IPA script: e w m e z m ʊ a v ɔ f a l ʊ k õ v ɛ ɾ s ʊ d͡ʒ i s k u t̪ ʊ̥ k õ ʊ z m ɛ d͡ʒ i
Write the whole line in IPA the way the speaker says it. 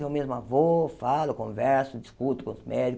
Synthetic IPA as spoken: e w m e z m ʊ a v o f a l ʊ k õ v ɛ ɾ s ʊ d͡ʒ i s k u t̪ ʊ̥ k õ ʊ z m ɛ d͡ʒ i